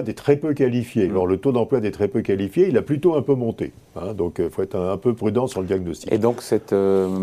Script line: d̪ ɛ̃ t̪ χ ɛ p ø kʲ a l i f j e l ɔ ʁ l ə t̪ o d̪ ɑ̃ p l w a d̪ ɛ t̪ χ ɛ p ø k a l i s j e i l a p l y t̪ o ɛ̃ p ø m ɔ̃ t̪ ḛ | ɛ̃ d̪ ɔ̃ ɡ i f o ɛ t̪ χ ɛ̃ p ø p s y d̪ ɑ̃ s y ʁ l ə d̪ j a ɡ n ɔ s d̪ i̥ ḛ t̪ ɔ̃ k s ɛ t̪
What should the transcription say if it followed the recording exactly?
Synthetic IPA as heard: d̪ ɛ t̪ χ ɛ p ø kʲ a l i f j e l ɔ ʁ l ə t̪ o d̪ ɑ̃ p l w a d̪ ɛ t̪ χ ɛ p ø k a l i f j e i l a p l y t̪ o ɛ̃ p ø m ɔ̃ t̪ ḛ | ɛ̃ d̪ ɔ̃ k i f o ɛ t̪ χ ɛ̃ p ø p χ y d̪ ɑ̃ s y ʁ l ə d̪ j a ɡ n ɔ s t̪ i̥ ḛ d̪ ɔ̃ k s ɛ t̪